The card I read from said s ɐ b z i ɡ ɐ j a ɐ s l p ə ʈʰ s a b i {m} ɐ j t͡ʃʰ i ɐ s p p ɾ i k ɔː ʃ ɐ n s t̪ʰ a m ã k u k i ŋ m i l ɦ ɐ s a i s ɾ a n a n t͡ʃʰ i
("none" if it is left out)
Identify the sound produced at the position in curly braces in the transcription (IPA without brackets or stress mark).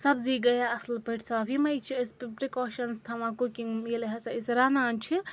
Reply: m